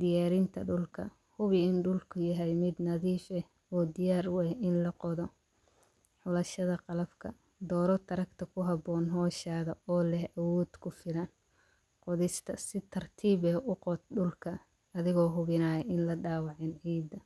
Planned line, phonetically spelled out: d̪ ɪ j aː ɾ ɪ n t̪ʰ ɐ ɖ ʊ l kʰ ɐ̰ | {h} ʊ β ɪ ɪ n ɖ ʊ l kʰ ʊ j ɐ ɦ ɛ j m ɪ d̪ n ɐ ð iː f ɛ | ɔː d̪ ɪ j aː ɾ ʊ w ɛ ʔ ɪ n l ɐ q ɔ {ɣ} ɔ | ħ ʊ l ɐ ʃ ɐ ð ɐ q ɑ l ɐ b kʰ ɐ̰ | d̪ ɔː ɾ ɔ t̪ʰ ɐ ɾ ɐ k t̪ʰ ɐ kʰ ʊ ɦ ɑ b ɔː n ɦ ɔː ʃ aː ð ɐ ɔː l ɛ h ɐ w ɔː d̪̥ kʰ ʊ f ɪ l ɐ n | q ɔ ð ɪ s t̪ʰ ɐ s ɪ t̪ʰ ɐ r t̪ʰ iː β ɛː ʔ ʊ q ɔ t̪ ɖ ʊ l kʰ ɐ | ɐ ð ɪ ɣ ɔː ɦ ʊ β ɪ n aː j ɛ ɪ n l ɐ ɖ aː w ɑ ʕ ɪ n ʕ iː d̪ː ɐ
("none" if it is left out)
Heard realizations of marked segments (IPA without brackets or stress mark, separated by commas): h, ð